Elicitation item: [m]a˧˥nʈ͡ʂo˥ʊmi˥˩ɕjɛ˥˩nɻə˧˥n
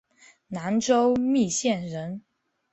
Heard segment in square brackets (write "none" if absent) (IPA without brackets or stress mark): n